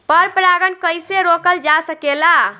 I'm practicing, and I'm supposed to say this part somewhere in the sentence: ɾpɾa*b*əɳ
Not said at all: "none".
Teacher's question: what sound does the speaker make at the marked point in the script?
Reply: ɡ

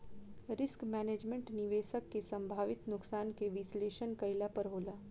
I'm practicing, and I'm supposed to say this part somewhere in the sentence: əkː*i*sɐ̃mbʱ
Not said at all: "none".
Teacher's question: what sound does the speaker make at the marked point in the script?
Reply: e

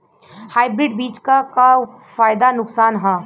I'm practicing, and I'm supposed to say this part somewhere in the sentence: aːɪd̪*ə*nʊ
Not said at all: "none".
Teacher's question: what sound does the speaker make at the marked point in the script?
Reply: a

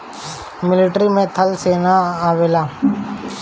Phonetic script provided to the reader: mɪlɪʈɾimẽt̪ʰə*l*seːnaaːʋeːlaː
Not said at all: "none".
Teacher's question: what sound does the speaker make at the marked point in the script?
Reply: l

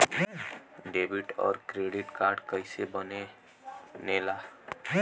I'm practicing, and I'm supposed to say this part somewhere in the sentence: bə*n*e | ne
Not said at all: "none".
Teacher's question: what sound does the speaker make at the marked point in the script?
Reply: n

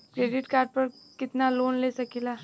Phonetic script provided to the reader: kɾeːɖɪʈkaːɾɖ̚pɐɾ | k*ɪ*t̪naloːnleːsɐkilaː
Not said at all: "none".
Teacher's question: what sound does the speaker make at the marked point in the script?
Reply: ɪ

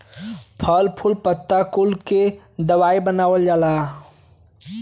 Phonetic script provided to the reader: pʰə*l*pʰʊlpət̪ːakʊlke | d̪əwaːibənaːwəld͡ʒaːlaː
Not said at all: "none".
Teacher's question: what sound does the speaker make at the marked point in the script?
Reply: l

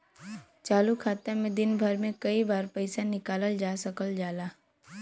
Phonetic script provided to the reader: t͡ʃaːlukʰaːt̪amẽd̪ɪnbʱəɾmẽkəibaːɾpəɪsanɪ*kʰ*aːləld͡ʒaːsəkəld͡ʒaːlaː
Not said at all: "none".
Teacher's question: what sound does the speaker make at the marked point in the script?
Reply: k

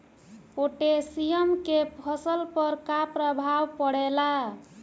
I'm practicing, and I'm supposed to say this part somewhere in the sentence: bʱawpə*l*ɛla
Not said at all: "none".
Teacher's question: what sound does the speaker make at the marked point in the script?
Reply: ɽ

